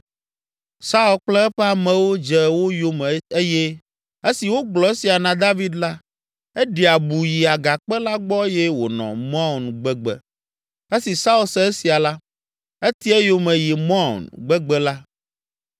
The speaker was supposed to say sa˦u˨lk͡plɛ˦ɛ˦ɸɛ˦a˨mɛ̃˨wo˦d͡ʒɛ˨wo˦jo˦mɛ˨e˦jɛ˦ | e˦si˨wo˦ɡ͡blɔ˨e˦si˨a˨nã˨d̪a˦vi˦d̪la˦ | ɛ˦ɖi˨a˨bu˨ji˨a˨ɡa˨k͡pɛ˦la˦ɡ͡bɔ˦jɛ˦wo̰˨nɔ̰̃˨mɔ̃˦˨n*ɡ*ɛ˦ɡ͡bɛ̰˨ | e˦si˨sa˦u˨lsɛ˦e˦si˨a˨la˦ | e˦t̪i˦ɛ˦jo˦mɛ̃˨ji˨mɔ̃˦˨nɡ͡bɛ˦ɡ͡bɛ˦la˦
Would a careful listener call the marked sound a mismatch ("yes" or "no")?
yes